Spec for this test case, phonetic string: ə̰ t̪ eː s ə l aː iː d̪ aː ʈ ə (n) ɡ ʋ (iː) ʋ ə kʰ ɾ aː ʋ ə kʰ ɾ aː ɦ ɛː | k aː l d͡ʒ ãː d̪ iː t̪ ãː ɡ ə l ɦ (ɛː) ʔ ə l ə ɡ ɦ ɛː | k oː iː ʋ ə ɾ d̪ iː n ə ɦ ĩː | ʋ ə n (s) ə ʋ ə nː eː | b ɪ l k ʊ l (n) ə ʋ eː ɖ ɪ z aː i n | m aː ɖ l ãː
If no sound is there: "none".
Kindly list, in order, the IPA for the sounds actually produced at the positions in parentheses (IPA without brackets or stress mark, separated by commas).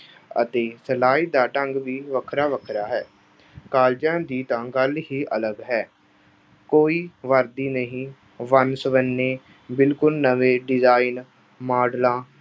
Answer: ŋ, iː, iː, s, n